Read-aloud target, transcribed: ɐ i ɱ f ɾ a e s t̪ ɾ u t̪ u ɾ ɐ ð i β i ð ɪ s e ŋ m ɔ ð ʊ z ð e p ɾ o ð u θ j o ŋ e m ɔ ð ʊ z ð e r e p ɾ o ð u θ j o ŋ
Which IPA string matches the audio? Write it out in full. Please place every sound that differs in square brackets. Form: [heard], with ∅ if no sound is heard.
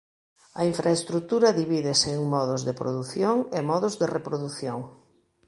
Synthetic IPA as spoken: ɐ i ɱ f ɾ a e s t̪ ɾ u t̪ u ɾ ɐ ð i β i ð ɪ s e ŋ m ɔ ð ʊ z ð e p ɾ o ð u θ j o ŋ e m ɔ ð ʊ z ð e r e p ɾ o ð u θ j o ŋ